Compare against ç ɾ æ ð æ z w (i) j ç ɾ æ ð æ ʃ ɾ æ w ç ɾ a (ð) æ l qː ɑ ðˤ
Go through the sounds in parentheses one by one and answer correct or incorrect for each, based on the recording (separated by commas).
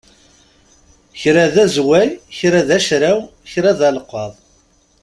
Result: incorrect, correct